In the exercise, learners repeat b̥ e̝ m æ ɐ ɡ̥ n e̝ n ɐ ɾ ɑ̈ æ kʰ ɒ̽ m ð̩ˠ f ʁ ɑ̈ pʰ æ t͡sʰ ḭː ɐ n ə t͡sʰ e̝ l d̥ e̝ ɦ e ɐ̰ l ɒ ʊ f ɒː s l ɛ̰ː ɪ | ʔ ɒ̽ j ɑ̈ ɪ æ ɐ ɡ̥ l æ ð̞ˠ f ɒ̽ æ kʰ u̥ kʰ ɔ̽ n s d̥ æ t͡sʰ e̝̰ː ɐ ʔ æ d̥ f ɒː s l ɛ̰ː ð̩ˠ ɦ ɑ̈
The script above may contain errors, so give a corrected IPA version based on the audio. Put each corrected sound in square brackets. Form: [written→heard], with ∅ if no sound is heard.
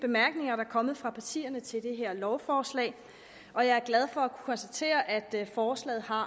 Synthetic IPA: b̥ e̝ m æ ɐ ɡ̥ n e̝ [n→ŋ] ɐ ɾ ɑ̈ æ kʰ ɒ̽ m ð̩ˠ f ʁ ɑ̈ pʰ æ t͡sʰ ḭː ɐ n ə t͡sʰ e̝ l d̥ e̝ ɦ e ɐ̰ l ɒ ʊ f ɒː s l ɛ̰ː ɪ | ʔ ɒ̽ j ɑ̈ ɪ æ ɐ ɡ̥ l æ ð̞ˠ f ɒ̽ æ kʰ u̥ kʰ [ɔ̽→ɒ̽] n s d̥ æ t͡sʰ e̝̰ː ɐ ʔ æ d̥ f ɒː s l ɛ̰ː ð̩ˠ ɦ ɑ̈